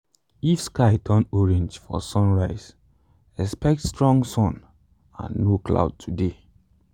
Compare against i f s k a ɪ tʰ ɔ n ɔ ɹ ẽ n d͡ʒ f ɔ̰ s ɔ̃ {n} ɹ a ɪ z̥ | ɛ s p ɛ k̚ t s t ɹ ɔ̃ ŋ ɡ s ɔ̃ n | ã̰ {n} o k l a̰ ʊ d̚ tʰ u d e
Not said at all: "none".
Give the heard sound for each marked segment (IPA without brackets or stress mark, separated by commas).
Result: n, nː